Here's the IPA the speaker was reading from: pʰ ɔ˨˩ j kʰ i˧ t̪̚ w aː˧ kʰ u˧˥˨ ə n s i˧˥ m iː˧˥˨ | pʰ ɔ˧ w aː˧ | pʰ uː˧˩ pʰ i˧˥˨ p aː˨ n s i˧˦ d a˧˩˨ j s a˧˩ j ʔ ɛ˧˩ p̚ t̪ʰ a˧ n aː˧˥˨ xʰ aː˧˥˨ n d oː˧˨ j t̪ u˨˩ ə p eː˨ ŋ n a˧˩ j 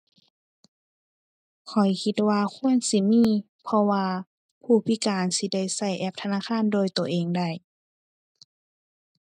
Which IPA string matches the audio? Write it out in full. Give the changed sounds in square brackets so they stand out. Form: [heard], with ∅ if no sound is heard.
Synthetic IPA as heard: [kʰ] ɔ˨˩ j kʰ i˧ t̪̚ w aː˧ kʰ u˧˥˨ ə n s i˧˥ m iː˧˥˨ | pʰ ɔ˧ w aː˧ | pʰ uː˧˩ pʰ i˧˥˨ [k] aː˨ n s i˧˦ d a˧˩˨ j s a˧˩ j ʔ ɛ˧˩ p̚ t̪ʰ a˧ n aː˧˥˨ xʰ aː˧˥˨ n d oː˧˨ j t̪ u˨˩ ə [ʔ] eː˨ ŋ [d] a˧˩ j